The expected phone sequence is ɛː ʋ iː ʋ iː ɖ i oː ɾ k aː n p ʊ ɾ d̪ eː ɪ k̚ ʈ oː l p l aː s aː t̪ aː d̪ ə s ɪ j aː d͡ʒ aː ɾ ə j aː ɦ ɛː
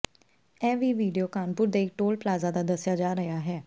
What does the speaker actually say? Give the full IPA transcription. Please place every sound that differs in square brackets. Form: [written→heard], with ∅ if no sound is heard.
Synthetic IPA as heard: ɛː ʋ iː ʋ iː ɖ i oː [ɾ→∅] k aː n p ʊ ɾ d̪ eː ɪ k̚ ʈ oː l p l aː [s→z] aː [t̪→d̪] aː d̪ ə s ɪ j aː d͡ʒ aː ɾ ə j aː ɦ ɛː